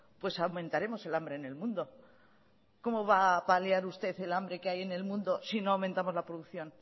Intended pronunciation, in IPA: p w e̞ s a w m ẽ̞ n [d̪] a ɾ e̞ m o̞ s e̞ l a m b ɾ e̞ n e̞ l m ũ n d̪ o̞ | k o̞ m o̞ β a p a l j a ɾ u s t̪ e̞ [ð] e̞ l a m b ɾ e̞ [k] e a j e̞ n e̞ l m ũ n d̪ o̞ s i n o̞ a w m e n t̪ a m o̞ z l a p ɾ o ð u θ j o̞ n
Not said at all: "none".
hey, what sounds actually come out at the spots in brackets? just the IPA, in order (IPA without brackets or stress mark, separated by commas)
t̪, θ, k